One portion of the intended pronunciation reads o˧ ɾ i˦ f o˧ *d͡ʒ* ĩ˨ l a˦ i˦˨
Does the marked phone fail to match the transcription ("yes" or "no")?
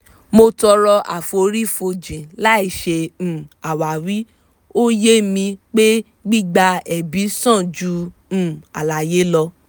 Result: no